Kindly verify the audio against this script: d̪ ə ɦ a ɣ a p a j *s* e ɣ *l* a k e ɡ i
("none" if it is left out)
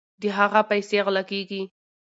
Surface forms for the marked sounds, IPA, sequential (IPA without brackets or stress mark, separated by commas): s, l